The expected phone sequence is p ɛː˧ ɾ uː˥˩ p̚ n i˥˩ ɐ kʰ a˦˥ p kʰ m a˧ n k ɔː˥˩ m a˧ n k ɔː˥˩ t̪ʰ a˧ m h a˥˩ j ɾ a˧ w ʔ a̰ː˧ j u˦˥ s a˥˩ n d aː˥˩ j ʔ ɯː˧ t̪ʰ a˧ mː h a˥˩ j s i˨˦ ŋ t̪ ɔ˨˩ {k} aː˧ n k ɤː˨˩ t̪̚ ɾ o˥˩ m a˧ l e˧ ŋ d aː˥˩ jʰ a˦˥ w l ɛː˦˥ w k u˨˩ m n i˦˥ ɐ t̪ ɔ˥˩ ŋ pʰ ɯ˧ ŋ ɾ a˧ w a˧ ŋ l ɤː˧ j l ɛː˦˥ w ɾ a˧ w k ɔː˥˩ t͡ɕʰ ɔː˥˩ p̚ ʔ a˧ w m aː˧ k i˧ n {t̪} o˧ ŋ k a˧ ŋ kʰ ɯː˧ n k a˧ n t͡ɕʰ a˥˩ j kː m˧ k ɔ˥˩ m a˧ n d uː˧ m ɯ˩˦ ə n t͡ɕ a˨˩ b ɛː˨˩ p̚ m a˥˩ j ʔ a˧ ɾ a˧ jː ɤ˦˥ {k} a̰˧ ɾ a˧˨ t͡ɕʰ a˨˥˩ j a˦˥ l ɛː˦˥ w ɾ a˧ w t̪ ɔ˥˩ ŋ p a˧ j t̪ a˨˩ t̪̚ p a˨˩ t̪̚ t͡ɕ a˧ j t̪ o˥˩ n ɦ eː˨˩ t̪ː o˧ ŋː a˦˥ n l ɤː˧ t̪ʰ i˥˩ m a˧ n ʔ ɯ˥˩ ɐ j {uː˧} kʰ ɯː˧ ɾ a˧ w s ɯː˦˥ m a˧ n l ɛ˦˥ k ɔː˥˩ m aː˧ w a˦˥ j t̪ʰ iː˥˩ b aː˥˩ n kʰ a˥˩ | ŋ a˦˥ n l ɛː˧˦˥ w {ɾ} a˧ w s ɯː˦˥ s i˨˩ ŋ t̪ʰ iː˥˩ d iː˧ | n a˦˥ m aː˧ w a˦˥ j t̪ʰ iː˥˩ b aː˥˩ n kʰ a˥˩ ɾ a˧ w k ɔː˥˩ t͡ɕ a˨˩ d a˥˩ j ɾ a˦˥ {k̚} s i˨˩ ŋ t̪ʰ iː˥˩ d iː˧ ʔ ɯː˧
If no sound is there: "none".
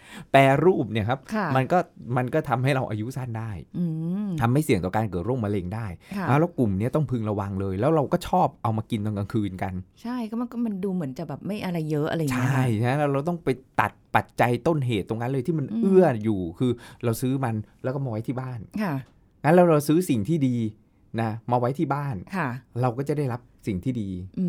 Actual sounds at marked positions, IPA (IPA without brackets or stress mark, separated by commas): k, t̪, ʔ, uː˨˩, ɾ, p̚